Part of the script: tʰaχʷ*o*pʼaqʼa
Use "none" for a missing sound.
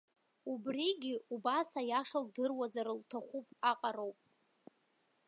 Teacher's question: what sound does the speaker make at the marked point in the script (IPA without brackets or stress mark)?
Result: u